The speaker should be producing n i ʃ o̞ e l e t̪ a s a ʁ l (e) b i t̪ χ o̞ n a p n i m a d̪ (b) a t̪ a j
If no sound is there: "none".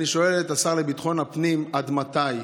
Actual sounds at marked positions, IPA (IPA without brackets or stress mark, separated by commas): e, m